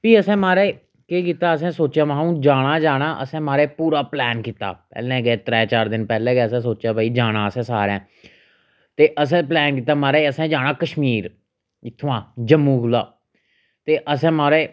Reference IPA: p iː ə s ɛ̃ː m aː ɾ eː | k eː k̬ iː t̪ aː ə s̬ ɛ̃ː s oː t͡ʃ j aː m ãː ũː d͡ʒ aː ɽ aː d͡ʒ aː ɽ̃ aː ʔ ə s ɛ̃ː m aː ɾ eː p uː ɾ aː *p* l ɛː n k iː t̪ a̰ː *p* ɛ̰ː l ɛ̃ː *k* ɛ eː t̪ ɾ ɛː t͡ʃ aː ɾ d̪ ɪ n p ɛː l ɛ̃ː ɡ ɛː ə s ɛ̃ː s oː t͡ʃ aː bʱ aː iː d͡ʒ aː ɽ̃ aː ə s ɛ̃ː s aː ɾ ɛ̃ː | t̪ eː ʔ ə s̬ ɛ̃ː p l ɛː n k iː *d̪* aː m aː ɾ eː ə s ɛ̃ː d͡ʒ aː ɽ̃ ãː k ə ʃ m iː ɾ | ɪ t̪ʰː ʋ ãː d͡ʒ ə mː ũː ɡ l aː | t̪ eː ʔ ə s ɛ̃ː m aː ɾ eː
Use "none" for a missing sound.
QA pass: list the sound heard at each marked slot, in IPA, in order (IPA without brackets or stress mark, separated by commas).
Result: p, p, ɡ, t̪